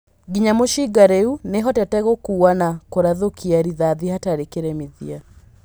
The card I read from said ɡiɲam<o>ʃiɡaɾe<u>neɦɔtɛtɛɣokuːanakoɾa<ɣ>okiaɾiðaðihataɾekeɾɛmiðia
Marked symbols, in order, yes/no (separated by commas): yes, yes, no